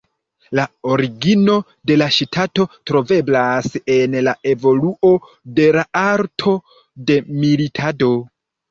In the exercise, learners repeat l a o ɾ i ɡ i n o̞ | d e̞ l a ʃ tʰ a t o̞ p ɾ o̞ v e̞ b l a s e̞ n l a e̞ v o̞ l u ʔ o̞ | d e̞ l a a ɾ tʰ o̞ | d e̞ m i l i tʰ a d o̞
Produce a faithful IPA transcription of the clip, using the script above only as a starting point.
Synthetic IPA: l a o ɾ i ɡ i n o̞ | d e̞ l a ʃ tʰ a t o̞ t ɾ o̞ v e̞ b l a s e̞ n l a e̞ v o̞ l u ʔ o̞ | d e̞ l a a ɾ tʰ o̞ | d e̞ m i l i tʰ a d o̞